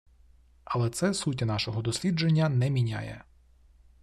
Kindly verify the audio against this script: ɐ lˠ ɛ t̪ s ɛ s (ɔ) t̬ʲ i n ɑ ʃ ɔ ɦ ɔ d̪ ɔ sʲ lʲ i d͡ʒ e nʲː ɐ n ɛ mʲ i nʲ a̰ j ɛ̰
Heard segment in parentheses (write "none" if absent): u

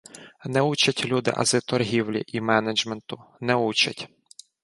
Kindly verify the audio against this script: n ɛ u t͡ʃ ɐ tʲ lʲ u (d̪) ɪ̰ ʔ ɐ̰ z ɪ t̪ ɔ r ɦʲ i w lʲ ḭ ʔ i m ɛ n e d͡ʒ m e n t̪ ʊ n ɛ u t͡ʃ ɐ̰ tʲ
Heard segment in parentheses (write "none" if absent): d̪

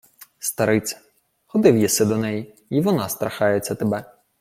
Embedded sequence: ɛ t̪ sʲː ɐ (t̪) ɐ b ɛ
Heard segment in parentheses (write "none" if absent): t̪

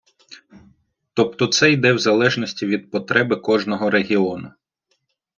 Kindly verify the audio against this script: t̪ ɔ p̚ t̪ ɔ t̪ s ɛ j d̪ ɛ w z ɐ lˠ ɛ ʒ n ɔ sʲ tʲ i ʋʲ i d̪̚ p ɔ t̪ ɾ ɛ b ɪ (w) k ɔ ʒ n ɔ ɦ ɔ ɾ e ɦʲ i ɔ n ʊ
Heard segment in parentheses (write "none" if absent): none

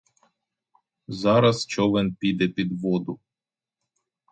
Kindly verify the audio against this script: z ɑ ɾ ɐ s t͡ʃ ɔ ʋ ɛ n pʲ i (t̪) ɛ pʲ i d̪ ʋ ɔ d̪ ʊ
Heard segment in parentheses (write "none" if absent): d̪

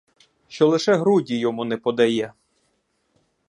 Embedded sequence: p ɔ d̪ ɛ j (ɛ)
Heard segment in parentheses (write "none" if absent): ɛ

